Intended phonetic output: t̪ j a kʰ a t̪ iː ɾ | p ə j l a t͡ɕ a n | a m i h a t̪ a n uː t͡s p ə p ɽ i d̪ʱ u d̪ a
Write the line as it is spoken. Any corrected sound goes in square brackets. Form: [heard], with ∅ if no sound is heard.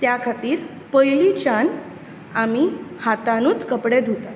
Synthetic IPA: t̪ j a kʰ a t̪ iː ɾ | p ə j l [i] t͡ɕ a n | a m i h a t̪ a n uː t͡s [k] ə p ɽ [e] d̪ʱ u [t̪] a